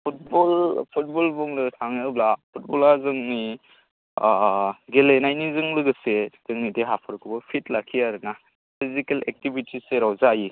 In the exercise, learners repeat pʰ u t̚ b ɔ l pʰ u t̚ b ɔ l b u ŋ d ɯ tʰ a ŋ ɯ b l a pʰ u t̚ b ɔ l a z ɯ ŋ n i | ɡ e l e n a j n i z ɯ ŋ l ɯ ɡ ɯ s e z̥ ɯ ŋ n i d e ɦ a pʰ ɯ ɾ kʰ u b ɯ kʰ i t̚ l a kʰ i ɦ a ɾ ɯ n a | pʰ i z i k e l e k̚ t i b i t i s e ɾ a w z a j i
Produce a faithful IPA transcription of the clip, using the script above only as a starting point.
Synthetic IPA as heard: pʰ u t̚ b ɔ l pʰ u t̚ b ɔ l b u ŋ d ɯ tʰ a ŋ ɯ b l a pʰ u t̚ b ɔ l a z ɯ ŋ n i | ɡ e l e n a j n i z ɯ ŋ l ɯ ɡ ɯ s e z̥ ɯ ŋ n i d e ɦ a pʰ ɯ ɾ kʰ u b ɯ pʰ i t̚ l a kʰ i a ɾ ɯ n a | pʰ i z i k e l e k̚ t i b i t i s e ɾ a w z a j i